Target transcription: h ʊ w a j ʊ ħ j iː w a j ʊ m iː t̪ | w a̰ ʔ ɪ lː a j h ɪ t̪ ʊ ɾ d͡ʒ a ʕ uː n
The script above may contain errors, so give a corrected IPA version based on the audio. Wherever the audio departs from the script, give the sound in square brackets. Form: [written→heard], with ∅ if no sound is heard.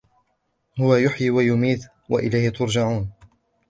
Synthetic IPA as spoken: h ʊ w a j ʊ ħ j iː w a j ʊ m iː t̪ | w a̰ ʔ ɪ [lː→l] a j h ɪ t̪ ʊ ɾ d͡ʒ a ʕ uː n